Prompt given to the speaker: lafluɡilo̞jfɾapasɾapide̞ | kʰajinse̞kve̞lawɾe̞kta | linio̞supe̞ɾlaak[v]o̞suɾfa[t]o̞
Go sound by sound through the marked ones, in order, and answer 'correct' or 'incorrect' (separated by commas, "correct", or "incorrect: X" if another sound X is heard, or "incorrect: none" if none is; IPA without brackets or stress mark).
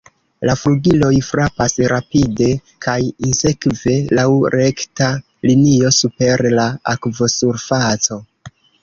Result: correct, incorrect: t͡s